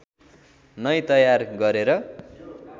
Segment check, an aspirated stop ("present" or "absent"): absent